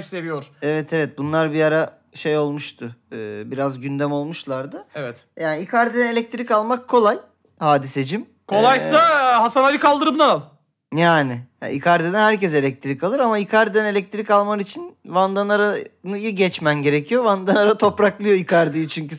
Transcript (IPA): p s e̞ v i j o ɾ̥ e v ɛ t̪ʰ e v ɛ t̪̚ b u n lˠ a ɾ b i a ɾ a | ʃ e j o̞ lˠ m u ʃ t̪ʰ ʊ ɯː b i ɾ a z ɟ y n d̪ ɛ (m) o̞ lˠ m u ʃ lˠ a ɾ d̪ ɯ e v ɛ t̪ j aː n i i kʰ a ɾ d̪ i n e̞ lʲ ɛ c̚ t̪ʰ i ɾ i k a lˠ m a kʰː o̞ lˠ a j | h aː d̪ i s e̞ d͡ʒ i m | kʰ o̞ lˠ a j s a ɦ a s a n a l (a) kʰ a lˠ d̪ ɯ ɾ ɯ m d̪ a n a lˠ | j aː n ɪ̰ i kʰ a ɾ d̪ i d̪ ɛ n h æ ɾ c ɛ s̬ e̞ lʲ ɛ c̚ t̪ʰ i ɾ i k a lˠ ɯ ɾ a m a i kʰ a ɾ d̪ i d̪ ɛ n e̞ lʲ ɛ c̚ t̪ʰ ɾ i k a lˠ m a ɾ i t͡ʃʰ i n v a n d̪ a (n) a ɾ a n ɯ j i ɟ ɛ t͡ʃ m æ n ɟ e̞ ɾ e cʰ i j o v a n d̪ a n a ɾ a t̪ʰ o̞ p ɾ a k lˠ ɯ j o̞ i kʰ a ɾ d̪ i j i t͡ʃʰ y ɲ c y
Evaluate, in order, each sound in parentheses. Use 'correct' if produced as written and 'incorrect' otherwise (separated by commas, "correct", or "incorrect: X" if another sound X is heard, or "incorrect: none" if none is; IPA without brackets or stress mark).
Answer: correct, incorrect: i, correct